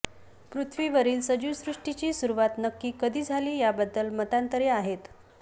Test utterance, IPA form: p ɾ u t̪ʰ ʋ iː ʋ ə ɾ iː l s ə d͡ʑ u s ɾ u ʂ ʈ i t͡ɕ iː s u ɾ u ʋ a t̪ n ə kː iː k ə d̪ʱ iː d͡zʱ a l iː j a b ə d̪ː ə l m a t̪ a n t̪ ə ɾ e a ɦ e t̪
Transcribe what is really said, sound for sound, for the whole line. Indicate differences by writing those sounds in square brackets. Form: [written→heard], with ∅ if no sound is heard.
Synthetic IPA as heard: p ɾ u t̪ʰ ʋ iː ʋ ə ɾ iː l s ə d͡ʑ u s ɾ u ʂ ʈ i t͡ɕ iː s u ɾ u ʋ a t̪ n ə kː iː k ə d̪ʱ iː d͡zʱ a l iː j a b ə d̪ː ə l m [a→ə] t̪ a n t̪ ə ɾ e a ɦ e t̪

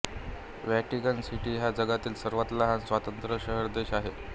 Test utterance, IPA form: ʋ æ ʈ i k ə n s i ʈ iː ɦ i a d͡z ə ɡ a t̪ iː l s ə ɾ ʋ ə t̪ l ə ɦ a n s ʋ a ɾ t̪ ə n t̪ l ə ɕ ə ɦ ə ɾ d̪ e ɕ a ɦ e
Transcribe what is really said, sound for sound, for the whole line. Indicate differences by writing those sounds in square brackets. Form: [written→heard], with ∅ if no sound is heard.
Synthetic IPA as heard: ʋ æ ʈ i k ə n s i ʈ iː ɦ [i→j] a d͡z ə ɡ a t̪ iː l s ə ɾ ʋ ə t̪ l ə ɦ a n s ʋ a [ɾ→∅] t̪ ə n t̪ [l→ɾ] ə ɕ ə ɦ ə ɾ d̪ e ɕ a ɦ e

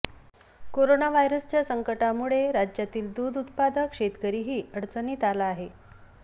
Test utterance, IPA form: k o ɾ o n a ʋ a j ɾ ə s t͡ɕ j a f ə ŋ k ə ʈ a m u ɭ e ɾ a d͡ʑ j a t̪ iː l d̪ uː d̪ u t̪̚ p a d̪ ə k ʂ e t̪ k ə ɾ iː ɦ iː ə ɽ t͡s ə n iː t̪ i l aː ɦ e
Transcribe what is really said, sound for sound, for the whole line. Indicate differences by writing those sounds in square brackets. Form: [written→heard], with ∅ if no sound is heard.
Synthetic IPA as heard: k o ɾ o n a ʋ a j ɾ ə s t͡ɕ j a [f→s] ə ŋ k ə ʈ a m u ɭ e ɾ a d͡ʑ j a t̪ iː l d̪ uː d̪ u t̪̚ p a d̪ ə k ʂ e t̪ k ə ɾ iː ɦ iː ə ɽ t͡s ə n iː t̪ [i→a] l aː ɦ e

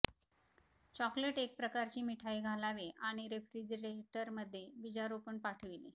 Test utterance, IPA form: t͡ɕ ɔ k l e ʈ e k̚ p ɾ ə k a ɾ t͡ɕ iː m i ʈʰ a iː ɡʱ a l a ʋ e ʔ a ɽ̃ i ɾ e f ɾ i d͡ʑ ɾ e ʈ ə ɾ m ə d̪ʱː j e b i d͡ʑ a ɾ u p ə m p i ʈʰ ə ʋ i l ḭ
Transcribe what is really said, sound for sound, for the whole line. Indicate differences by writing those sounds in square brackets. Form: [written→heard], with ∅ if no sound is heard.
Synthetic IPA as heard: t͡ɕ ɔ k l e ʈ e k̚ p ɾ ə k a ɾ t͡ɕ iː m i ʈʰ a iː ɡʱ a l a ʋ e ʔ a ɽ̃ i ɾ e f ɾ i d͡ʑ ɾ e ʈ ə ɾ m ə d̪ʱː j e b i d͡ʑ a ɾ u p ə [m→ɳ] p [i→a] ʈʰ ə ʋ i l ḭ

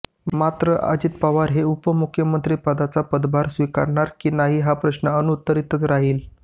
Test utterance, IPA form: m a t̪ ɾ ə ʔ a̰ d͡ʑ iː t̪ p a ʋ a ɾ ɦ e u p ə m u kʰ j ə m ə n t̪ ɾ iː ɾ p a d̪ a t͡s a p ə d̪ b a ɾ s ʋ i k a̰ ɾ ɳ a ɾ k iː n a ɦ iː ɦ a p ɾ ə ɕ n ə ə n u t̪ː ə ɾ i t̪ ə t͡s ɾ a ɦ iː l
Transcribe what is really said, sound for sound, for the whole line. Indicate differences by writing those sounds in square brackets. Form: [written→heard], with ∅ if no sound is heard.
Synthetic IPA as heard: m a t̪ ɾ ə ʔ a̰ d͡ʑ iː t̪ p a ʋ a ɾ ɦ e u p ə m u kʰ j ə m ə n t̪ ɾ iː [ɾ→∅] p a d̪ a t͡s a p ə d̪ b a ɾ s ʋ i k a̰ ɾ ɳ a ɾ k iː n a ɦ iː ɦ a p ɾ ə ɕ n ə ə n u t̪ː ə ɾ i t̪ ə t͡s ɾ a ɦ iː l

